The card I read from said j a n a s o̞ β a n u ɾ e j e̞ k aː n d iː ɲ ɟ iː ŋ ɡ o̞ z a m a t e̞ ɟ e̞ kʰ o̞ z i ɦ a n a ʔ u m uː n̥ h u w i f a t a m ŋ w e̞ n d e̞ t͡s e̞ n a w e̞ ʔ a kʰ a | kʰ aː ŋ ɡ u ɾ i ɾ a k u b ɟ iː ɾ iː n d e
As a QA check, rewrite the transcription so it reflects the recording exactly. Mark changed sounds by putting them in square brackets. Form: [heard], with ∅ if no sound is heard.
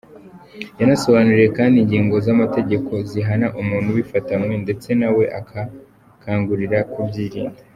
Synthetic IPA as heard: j a n a s o̞ β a n u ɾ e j e̞ k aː n d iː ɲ ɟ iː ŋ ɡ o̞ z a m a t e̞ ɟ e̞ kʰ o̞ z i ɦ a n a ʔ u m uː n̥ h u w i f a t a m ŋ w e̞ n d e̞ t͡s e̞ n a w e̞ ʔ a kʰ a | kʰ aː ŋ ɡ u ɾ i ɾ a k u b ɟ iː ɾ iː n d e